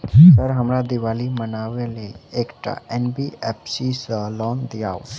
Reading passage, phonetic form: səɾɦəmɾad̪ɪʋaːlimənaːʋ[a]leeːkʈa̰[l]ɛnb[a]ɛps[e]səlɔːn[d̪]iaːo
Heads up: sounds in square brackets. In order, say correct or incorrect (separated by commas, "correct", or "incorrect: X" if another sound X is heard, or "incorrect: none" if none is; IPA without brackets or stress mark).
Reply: incorrect: e, incorrect: none, incorrect: i, incorrect: i, correct